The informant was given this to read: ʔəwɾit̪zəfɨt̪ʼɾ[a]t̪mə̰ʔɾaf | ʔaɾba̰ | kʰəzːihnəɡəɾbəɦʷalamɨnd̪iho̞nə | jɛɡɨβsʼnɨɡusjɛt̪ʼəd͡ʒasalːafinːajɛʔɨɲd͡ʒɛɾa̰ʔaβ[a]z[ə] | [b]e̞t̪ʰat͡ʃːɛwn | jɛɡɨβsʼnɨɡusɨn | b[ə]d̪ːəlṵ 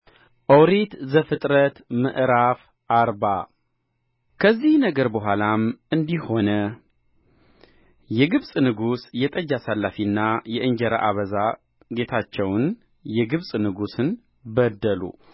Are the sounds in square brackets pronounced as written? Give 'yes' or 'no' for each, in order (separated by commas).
no, no, no, no, yes